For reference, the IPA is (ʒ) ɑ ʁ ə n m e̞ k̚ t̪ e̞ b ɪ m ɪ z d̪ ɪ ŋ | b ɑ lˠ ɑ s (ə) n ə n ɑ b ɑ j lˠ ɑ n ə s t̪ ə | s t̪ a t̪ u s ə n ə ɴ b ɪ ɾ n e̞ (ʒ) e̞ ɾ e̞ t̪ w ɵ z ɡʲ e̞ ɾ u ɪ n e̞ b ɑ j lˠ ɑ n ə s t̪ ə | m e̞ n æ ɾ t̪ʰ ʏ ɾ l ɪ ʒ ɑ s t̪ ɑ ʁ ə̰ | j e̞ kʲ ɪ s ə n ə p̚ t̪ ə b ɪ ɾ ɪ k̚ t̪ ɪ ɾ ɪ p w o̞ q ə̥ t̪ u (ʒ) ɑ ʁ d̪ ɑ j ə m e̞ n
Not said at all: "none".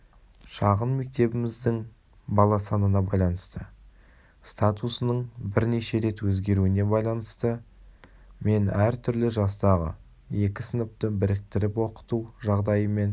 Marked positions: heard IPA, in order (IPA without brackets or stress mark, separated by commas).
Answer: ʃ, ɑ, ʃ, ʒ